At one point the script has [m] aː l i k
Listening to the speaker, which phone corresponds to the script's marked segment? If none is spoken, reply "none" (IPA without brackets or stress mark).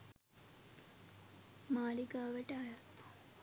m